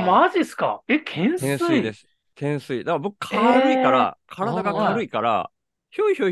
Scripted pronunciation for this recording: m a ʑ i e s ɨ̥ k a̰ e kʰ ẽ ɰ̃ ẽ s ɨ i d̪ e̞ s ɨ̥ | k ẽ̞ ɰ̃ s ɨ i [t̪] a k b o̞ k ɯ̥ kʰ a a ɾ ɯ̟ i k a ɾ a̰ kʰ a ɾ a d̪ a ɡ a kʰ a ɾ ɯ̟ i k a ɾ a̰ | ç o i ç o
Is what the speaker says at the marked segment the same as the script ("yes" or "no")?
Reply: no